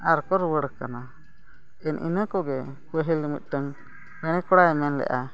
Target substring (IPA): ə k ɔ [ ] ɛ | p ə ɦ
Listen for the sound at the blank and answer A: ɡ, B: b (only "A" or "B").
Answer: A